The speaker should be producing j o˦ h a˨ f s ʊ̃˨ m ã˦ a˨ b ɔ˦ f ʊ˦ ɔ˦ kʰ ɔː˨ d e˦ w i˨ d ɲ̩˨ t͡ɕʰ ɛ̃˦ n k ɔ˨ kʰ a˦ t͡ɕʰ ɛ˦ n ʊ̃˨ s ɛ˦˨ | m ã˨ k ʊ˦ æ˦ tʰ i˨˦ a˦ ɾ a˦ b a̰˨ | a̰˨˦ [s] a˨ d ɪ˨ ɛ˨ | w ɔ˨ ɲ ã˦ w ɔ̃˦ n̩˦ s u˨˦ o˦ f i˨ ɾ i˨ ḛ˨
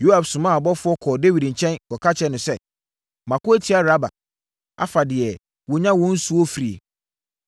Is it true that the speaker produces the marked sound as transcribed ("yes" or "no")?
no